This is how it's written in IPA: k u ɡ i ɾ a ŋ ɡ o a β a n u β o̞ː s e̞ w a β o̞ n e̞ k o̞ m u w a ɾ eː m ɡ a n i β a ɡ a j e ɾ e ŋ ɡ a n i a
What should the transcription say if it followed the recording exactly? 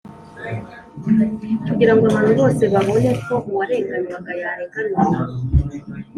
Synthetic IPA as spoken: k u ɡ i ɾ a ŋ ɡ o a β a n u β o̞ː s e̞ β a β o̞ n e̞ k o̞ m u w a ɾ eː ŋ ɡ a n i β a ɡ a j a ɾ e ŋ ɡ a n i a

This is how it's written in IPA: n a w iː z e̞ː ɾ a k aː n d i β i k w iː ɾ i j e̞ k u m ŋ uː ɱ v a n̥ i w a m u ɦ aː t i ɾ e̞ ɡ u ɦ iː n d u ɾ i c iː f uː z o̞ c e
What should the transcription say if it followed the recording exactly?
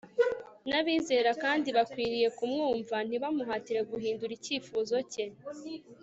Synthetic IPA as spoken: n a β iː z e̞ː ɾ a k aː n d i β a k w iː ɾ i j e̞ k u m ŋ uː ɱ v a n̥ i β a m u ɦ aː t i ɾ e̞ ɡ u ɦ iː n d u ɾ i c iː f uː z o̞ c e

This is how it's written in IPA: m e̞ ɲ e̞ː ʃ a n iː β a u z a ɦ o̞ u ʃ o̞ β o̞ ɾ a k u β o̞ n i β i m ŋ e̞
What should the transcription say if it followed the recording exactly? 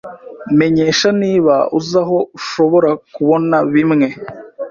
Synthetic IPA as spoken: m e̞ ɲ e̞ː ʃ a n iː β a u z a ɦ o̞ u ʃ o̞ β o̞ ɾ a k u β o̞ n a β i m ŋ e̞

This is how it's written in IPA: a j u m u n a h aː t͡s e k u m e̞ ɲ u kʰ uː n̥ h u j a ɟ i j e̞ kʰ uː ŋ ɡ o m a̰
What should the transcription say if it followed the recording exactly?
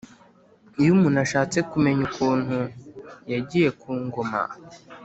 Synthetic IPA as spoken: i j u m u n a ʃ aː t͡s e k u m e̞ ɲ u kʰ uː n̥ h u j a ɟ i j e̞ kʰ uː ŋ ɡ o m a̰

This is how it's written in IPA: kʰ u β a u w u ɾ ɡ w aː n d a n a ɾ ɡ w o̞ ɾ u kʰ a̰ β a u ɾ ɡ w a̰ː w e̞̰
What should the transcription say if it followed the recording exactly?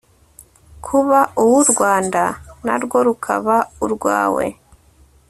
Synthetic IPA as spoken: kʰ u β a u w u ɾ ɡ w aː n d a n a ɾ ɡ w o̞ ɾ u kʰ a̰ β a u ɾ ɡ w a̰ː w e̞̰

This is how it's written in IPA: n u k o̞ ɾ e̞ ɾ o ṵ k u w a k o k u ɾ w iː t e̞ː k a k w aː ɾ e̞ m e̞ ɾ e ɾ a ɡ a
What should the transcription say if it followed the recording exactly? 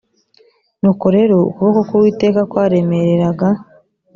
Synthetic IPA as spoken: n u k o̞ ɾ e̞ ɾ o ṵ k u β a k o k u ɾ w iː t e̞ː k a k w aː ɾ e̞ m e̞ ɾ e ɾ a ɡ a

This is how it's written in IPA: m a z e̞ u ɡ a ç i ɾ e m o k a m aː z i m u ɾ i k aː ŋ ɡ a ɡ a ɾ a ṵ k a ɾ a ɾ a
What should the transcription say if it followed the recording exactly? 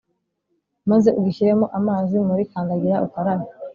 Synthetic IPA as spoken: m a z e̞ u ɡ i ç i ɾ e m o ʔ a m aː z i m u ɾ i k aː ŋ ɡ a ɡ i ɾ a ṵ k a ɾ a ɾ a

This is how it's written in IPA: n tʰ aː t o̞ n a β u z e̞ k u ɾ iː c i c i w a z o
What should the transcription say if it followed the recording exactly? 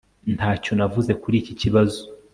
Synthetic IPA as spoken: n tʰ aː c o̞ n a v u z e̞ k u ɾ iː c i c i β a z o

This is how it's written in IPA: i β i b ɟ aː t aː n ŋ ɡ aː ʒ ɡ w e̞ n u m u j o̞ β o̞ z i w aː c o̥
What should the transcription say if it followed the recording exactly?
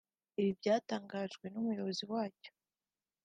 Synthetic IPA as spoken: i β i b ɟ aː t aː ŋ ɡ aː ʒ ɡ w e̞ n u m u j o̞ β o̞ z i w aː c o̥

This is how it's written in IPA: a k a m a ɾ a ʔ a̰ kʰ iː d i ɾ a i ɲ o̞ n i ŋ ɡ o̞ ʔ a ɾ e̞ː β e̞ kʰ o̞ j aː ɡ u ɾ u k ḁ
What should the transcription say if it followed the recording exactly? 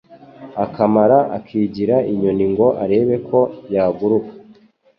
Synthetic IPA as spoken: a k a m a ɾ a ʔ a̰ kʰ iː ɟ i ɾ a i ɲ o̞ n i ŋ ɡ o̞ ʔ a ɾ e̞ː β e̞ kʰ o̞ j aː ɡ u ɾ u k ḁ

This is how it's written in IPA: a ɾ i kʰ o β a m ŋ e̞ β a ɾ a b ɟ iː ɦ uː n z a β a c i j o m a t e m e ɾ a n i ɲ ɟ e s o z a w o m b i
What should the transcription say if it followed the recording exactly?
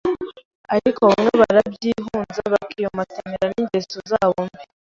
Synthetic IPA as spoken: a ɾ i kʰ o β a m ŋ e̞ β a ɾ a b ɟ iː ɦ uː n z a β a k i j o m a t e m e ɾ a n i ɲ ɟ e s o z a β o m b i

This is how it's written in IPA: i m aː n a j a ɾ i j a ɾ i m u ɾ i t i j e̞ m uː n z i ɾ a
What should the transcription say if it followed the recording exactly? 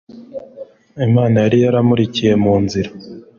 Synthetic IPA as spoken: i m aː n a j a ɾ i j a ɾ a m u ɾ i c i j e̞ m uː n z i ɾ a

